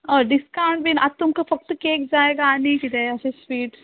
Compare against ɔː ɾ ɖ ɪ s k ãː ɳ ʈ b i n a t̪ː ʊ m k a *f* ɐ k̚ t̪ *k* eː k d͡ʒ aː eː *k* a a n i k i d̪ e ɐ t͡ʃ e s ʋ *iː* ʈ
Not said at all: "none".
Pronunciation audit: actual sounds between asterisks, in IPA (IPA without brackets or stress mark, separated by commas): f, k, ɡ, iː